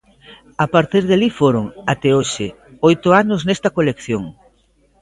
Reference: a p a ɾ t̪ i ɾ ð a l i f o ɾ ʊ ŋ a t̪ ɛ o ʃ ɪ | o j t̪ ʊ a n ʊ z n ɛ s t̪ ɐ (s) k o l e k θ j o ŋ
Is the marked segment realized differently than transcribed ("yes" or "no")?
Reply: yes